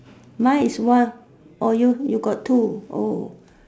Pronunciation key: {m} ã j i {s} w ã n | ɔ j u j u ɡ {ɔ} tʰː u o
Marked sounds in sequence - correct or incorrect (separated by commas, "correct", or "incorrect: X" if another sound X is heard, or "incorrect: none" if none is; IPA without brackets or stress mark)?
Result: correct, correct, correct